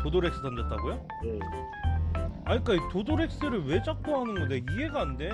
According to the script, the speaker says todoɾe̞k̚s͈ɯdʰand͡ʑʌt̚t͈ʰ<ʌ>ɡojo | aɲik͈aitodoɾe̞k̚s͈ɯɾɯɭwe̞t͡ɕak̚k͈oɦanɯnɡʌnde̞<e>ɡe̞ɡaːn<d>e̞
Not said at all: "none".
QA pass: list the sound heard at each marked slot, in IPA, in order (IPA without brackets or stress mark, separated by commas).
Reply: a, i, d